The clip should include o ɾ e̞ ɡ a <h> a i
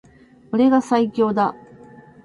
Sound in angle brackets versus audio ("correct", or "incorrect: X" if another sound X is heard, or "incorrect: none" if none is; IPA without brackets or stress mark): incorrect: s